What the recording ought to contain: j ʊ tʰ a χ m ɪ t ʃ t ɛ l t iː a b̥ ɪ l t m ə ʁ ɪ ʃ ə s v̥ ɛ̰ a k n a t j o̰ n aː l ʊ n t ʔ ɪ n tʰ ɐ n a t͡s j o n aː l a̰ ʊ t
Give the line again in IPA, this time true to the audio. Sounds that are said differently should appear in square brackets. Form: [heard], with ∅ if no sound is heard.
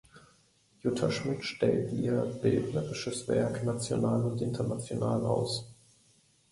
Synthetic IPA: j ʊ tʰ a [ʃ] m ɪ t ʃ t ɛ l t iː [ɐ] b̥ ɪ l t [n] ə ʁ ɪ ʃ ə s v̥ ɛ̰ [ɐ] k n a [t͡s] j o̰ n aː l ʊ n t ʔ ɪ n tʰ ɐ n a t͡s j o n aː l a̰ ʊ [s]